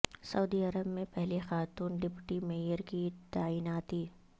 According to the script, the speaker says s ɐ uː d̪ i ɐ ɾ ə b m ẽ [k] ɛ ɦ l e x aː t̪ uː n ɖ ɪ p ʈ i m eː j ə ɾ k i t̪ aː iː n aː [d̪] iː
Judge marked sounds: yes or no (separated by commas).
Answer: no, no